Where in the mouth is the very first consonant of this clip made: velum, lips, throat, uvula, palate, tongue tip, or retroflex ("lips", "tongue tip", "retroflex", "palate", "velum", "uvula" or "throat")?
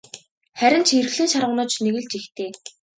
uvula